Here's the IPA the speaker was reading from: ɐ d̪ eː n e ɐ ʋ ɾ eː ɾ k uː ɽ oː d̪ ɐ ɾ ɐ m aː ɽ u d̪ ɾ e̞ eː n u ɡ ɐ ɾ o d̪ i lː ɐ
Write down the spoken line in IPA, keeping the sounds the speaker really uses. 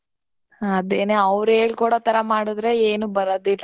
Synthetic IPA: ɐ d̪ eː n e ɐ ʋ ɾ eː ɭ k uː ɽ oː t̪ ɐ ɾ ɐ m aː ɽ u d̪ ɾ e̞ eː n u b ɐ ɾ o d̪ i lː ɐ